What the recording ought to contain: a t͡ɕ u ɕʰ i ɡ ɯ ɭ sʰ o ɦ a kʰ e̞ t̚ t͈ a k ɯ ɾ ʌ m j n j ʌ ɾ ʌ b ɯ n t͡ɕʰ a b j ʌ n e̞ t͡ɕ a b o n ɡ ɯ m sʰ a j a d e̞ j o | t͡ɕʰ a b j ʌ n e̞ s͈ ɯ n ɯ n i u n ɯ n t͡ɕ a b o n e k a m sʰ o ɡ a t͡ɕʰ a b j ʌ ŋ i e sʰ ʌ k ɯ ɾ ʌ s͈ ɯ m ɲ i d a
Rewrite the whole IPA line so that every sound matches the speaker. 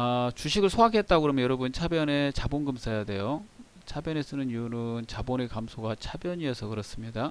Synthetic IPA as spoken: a t͡ɕ u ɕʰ i ɡ ɯ ɭ sʰ o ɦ a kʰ e̞ t̚ t͈ a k ɯ ɾ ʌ m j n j ʌ ɾ ʌ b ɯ n t͡ɕʰ a b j ʌ n e̞ t͡ɕ a b o n ɡ ɯ m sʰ a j a d e̞ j o | t͡ɕʰ a b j ʌ n e̞ s͈ ɯ n ɯ n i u n ɯ n t͡ɕ a b o n e k a m sʰ o ɡ a t͡ɕʰ a b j ʌ ɲ i e sʰ ʌ k ɯ ɾ ʌ s͈ ɯ m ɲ i d a